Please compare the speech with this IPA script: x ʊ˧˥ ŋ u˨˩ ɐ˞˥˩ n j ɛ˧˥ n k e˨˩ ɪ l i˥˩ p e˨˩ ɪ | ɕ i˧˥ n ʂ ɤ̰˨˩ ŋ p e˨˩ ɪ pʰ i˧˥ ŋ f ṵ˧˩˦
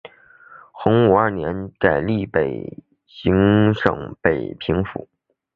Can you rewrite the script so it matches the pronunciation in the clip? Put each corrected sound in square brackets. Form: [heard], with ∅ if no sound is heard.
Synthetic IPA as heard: x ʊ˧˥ ŋ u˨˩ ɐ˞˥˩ n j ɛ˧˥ n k [a˨˩] ɪ l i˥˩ p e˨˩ ɪ | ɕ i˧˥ [ŋ] ʂ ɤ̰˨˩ ŋ p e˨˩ ɪ pʰ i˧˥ ŋ f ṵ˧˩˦